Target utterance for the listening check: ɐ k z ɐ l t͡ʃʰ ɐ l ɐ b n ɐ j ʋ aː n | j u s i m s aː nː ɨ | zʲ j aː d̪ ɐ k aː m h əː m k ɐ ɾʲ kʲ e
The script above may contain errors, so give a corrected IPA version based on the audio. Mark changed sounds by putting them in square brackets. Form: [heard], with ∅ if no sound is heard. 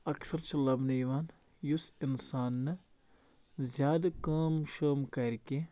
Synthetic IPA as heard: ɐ k [s] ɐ [ɾ] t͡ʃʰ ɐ l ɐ b n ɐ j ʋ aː n | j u s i [n] s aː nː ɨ | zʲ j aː d̪ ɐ k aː m [ʃ] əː m k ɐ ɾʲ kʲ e